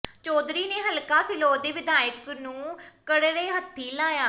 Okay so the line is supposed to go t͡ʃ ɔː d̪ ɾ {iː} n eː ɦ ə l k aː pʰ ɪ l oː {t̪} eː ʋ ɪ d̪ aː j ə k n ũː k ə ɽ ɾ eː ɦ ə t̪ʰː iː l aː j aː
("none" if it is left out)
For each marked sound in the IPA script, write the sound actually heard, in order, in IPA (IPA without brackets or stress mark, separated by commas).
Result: iː, d̪